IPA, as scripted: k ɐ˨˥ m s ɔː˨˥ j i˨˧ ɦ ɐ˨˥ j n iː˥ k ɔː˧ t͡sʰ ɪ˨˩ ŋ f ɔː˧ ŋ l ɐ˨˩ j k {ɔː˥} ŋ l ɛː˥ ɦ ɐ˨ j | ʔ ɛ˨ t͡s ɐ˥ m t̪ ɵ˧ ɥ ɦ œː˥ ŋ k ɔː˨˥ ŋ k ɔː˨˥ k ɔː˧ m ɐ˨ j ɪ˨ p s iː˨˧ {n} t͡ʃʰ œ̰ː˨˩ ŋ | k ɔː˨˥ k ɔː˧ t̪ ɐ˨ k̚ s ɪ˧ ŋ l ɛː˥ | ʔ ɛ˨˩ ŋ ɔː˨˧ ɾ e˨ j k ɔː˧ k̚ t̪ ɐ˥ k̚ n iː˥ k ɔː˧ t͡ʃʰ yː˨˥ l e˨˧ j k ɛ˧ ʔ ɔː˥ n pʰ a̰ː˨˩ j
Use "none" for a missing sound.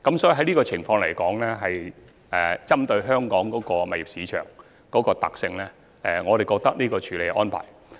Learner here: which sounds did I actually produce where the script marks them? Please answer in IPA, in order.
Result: ɔː˨˥, none

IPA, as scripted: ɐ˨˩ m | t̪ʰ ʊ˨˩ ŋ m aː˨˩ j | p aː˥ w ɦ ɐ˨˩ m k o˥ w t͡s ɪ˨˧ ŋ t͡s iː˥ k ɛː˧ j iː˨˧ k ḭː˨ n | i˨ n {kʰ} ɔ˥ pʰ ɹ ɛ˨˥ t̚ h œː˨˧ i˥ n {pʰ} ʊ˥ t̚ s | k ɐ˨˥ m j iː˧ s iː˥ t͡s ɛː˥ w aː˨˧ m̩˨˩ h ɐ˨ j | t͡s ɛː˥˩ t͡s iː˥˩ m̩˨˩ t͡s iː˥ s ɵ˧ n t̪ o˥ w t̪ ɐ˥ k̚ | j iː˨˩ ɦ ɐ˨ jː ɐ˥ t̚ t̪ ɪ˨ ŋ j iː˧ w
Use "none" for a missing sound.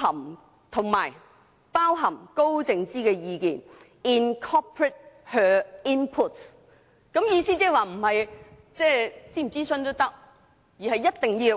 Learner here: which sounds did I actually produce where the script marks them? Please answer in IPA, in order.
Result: kʰ, pʰ

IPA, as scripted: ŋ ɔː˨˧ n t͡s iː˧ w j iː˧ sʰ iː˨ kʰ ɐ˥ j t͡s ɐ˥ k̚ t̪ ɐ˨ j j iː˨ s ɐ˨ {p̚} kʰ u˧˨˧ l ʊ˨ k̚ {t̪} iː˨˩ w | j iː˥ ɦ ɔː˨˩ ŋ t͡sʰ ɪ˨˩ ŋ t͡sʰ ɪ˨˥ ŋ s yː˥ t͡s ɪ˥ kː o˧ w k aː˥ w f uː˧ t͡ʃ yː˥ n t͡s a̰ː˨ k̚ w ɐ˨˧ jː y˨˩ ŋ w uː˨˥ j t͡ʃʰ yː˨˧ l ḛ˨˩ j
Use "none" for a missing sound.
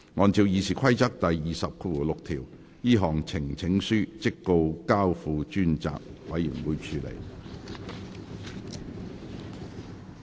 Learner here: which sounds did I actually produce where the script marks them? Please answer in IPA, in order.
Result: p̚, t̪ʰ

